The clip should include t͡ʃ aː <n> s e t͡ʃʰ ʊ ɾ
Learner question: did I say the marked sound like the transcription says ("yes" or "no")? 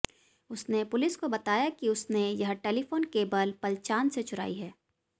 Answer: yes